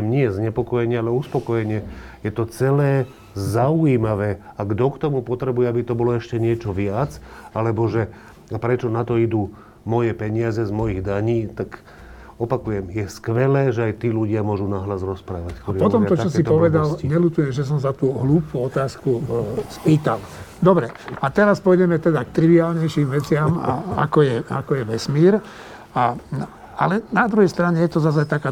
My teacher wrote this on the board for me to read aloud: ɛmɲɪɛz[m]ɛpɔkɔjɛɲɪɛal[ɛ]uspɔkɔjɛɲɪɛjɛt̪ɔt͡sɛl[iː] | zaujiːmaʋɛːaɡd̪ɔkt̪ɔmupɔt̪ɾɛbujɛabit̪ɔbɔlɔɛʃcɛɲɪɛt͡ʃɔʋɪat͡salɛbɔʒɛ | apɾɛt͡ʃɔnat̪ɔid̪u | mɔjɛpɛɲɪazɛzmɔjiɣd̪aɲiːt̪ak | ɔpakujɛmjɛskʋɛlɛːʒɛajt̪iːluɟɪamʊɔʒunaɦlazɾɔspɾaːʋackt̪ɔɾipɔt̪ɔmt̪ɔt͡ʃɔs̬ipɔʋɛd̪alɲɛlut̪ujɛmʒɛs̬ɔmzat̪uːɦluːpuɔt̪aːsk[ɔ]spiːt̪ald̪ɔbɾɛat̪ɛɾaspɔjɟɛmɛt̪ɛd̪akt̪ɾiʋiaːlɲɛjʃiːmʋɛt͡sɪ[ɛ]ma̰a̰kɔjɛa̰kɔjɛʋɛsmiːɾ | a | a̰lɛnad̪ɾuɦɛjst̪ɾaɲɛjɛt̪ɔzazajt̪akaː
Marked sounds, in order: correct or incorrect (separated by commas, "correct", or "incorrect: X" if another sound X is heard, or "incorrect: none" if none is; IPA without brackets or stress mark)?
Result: incorrect: ɲ, correct, incorrect: ɛː, incorrect: u, incorrect: a